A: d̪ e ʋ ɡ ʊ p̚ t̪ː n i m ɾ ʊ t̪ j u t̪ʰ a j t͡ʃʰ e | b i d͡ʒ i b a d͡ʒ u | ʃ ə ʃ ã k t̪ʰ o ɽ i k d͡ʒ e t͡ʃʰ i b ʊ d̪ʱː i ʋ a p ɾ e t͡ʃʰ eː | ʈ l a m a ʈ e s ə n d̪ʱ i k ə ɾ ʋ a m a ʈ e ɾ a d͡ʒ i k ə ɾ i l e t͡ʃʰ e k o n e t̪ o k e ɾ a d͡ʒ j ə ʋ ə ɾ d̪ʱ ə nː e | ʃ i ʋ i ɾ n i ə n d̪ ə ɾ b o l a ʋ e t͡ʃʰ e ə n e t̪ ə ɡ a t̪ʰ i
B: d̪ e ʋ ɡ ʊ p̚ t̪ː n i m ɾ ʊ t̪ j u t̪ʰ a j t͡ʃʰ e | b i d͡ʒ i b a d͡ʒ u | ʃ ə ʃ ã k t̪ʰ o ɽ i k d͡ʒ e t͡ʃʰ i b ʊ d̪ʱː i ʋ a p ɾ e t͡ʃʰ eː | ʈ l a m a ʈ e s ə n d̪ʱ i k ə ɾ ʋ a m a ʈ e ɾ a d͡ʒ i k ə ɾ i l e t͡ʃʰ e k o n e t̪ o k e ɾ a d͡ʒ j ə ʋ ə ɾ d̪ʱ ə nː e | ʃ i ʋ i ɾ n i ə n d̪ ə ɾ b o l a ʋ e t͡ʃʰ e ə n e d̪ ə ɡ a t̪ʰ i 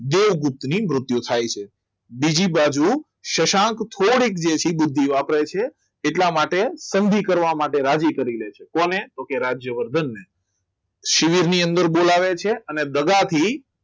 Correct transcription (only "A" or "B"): B